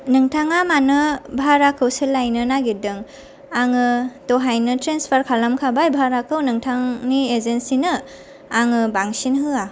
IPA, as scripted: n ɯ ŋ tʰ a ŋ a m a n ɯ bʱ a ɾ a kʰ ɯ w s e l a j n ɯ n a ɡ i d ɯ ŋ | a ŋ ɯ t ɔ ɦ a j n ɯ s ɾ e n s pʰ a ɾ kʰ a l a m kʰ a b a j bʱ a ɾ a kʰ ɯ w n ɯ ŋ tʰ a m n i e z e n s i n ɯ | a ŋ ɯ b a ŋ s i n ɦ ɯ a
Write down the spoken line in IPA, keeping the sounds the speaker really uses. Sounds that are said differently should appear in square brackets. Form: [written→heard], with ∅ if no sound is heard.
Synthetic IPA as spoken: n ɯ ŋ tʰ a ŋ a m a n ɯ bʱ a ɾ a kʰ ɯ w s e l a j n ɯ n a ɡ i d ɯ ŋ | a ŋ ɯ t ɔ ɦ a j n ɯ [s→t] ɾ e n s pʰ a ɾ kʰ a l a m kʰ a b a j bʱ a ɾ a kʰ ɯ w n ɯ ŋ tʰ a [m→ŋ] n i e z e n s i n ɯ | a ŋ ɯ b a ŋ s i n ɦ ɯ a